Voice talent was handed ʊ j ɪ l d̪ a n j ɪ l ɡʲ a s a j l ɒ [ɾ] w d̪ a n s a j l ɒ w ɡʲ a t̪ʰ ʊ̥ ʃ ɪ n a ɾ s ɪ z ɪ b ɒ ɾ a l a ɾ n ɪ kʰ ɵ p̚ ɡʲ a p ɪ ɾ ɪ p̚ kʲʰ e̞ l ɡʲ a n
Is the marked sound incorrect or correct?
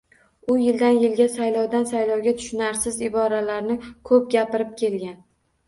incorrect